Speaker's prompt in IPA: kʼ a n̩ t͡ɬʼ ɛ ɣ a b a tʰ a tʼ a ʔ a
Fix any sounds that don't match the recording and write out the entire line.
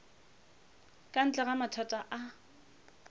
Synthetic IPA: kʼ a n̩ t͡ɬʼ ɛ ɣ a m a tʰ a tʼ a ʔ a